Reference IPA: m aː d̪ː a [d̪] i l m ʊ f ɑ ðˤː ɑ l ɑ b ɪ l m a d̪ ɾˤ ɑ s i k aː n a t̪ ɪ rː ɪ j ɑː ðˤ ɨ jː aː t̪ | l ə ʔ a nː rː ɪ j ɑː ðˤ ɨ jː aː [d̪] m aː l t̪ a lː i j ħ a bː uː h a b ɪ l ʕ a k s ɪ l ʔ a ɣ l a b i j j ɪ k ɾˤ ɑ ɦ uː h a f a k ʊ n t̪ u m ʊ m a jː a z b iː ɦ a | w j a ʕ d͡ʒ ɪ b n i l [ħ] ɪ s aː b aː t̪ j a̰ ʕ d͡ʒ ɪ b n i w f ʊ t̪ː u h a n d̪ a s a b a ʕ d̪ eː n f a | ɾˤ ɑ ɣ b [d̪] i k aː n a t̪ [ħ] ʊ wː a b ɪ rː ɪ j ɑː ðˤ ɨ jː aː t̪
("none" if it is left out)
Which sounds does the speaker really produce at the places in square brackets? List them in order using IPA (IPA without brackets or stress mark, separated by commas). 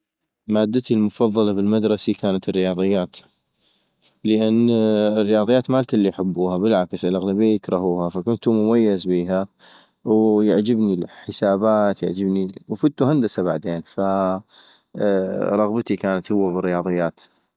t̪, t̪, ħ, t̪, h